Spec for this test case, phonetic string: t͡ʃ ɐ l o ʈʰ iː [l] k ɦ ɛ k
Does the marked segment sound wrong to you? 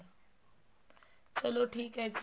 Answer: yes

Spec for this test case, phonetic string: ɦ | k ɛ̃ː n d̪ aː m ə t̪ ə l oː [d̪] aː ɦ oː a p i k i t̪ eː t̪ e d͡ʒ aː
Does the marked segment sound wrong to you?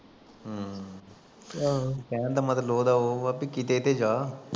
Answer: no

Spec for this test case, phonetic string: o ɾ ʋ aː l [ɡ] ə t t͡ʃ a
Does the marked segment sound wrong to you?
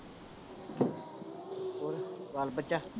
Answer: yes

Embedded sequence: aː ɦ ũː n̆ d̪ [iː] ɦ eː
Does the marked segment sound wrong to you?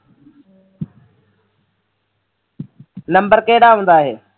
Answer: yes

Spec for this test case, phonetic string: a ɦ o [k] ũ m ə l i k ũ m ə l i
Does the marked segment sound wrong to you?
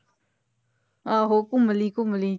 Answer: no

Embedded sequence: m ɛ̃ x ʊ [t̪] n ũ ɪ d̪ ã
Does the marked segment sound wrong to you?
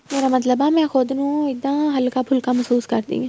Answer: yes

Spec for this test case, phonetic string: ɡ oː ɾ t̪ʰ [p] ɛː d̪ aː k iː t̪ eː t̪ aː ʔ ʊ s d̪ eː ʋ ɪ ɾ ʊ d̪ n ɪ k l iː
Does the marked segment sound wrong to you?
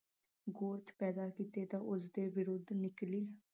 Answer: no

